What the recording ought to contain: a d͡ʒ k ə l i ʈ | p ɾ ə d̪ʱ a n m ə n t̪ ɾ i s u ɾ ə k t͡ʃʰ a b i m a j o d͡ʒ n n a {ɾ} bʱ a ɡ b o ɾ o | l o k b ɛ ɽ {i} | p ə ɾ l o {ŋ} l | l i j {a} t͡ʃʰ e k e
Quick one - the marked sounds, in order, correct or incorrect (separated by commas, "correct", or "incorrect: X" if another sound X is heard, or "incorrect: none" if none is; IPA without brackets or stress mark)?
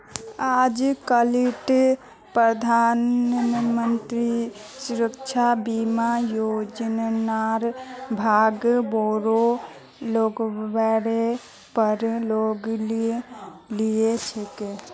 correct, incorrect: e, incorrect: ɡ, incorrect: e